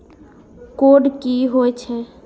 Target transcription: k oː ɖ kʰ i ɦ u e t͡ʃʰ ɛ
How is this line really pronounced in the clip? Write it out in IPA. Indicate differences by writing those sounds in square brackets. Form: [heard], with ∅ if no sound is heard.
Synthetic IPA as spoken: k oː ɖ [k] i ɦ [o] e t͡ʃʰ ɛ